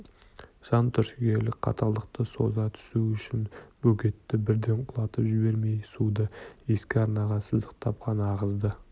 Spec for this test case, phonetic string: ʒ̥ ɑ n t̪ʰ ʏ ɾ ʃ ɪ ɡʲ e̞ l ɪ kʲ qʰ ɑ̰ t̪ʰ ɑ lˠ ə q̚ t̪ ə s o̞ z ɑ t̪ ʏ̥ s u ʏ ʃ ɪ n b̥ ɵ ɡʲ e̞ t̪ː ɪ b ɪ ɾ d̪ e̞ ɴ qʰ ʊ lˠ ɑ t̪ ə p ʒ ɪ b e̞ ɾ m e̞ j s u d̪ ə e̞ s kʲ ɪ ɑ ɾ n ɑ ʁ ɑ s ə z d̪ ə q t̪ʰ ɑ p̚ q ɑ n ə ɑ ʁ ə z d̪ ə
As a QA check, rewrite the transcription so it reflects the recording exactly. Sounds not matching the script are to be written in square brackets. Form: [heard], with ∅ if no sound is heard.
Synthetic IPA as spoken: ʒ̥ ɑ n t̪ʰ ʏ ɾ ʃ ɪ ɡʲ e̞ l ɪ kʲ qʰ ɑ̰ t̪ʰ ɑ lˠ ə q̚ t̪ ə s o̞ z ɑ [t̪ʰ] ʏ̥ s u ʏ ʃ ɪ n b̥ ɵ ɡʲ e̞ t̪ː ɪ b ɪ ɾ d̪ e̞ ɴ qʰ ʊ lˠ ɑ t̪ ə p ʒ ɪ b e̞ ɾ m e̞ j s u d̪ ə e̞ s kʲ ɪ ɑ ɾ n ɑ ʁ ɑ s ə z d̪ ə q t̪ʰ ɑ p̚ q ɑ n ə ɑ ʁ ə z d̪ ə

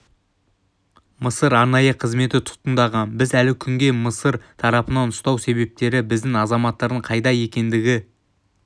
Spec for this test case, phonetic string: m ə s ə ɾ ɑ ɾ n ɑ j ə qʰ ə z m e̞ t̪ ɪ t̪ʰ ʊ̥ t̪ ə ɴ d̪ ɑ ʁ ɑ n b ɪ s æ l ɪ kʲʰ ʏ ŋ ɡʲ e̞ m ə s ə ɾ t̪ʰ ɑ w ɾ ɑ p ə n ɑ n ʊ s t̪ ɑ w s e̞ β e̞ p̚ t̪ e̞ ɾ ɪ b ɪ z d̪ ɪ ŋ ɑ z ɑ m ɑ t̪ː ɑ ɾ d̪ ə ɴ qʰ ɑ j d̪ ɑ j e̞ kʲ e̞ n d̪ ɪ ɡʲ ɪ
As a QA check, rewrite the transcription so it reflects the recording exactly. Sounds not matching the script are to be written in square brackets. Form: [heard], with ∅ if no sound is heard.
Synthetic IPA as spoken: m ə s ə ɾ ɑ ɾ n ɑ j ə qʰ ə z m e̞ t̪ ɪ t̪ʰ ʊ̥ t̪ ə [n] d̪ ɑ ʁ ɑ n b ɪ [z] æ l ɪ kʲʰ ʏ ŋ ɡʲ e̞ m ə s ə ɾ t̪ʰ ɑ [∅] ɾ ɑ p ə n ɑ n ʊ s t̪ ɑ w s e̞ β e̞ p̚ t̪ e̞ ɾ ɪ b ɪ z d̪ ɪ ŋ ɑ z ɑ m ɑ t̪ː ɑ ɾ d̪ ə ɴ qʰ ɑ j d̪ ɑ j e̞ kʲ e̞ n d̪ ɪ ɡʲ ɪ

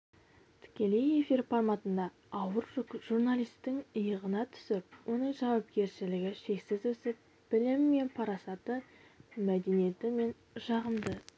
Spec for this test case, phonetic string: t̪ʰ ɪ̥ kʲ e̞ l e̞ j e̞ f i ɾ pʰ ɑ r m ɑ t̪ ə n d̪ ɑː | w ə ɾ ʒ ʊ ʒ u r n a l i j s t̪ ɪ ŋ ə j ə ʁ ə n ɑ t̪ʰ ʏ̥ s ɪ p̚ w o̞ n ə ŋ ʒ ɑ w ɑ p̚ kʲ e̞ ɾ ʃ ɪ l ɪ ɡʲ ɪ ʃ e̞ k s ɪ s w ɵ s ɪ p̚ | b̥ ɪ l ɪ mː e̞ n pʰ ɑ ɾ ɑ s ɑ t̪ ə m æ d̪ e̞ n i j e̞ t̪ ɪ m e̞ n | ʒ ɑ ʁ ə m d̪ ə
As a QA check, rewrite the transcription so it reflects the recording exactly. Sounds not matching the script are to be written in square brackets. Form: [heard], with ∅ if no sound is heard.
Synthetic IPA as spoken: t̪ʰ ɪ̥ kʲ e̞ l e̞ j e̞ f i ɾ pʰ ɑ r m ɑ t̪ ə n d̪ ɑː | w ə ɾ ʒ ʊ ʒ u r n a l i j s t̪ ɪ ŋ ə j ə ʁ ə n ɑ t̪ʰ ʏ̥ s ɪ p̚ w o̞ n ə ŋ ʒ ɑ w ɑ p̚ kʲ e̞ ɾ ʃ ɪ l ɪ ɡʲ ɪ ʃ e̞ k s ɪ [z] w ɵ s ɪ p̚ | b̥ ɪ l ɪ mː e̞ n pʰ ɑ ɾ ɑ s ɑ t̪ ə m æ d̪ e̞ n i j e̞ t̪ ɪ m e̞ n | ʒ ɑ ʁ ə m d̪ ə

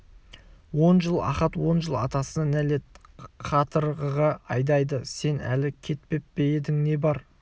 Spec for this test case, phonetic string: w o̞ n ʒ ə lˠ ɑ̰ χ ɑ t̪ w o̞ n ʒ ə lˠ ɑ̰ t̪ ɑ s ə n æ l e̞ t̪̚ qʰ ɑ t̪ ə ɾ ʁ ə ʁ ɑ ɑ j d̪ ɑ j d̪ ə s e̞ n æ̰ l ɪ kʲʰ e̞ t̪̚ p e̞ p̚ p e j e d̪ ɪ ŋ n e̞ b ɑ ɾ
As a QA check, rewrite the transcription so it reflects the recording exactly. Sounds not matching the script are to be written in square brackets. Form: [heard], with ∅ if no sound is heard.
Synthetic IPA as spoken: w o̞ n ʒ ə lˠ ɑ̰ χ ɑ t̪ w o̞ n ʒ ə lˠ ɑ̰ t̪ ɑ s ə n æ l e̞ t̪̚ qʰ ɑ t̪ ə ɾ ʁ ə ʁ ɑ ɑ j d̪ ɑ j d̪ ə s e̞ n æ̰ l ɪ kʲʰ e̞ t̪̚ p e̞ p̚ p e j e d̪ ɪ ŋ n e̞ b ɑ ɾ

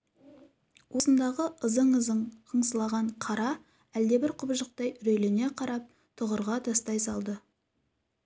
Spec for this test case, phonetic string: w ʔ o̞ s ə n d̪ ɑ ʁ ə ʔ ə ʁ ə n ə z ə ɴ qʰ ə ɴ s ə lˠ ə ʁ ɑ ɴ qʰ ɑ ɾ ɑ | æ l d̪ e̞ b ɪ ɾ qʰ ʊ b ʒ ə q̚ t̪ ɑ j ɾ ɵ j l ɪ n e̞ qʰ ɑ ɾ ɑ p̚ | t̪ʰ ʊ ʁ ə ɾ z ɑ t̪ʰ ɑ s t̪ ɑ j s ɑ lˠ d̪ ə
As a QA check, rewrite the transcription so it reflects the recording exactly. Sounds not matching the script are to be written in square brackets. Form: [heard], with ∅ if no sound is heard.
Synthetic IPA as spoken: w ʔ o̞ s ə n d̪ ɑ ʁ ə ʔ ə [z] ə [ɴ] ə z ə ɴ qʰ ə ɴ s ə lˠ [ɑ] ʁ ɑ ɴ qʰ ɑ ɾ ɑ | æ l d̪ e̞ b ɪ ɾ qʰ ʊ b ʒ ə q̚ t̪ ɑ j ɾ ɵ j l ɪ n e̞ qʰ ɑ ɾ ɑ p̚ | t̪ʰ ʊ ʁ ə ɾ [ʁ] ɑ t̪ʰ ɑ s t̪ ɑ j s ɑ lˠ d̪ ə

